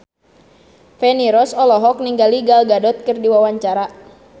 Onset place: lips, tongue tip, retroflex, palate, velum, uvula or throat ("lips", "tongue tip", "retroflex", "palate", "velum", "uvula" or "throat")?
lips